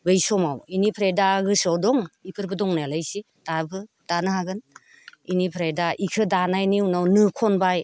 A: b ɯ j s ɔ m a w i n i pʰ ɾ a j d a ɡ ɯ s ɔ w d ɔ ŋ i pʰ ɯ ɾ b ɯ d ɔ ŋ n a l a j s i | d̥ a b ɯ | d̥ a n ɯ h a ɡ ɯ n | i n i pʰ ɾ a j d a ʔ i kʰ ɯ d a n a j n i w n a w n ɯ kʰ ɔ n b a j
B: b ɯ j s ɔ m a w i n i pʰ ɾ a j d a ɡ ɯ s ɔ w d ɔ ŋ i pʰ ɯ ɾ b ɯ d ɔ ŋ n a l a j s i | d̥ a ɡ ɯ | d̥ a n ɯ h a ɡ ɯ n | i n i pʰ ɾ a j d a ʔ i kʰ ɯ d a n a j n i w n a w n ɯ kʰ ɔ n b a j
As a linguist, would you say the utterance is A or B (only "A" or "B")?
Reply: A